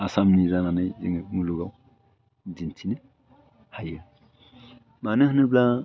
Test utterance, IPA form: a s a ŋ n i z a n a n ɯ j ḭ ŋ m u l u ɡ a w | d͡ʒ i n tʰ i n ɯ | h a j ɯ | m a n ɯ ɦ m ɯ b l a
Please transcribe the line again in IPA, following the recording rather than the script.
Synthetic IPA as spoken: a s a m n i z a n a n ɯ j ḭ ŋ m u l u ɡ a w | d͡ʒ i n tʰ i n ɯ | h a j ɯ | m a n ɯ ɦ n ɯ b l a